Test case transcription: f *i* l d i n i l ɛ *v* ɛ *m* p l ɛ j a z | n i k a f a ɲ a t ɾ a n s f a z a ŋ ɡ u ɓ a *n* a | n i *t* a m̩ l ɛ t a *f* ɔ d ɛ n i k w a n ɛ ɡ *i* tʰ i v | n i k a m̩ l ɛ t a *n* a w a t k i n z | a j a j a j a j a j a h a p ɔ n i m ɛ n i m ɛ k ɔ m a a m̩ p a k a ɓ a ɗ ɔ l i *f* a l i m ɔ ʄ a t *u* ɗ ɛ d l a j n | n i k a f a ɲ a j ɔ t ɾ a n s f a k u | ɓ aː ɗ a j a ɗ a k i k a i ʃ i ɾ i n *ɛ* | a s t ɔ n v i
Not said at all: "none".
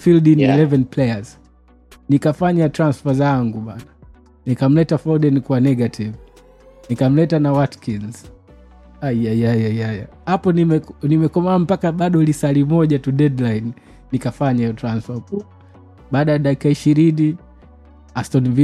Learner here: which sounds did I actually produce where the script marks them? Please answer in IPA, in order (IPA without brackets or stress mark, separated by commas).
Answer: i, v, n, n, k, f, a, n, s, u, i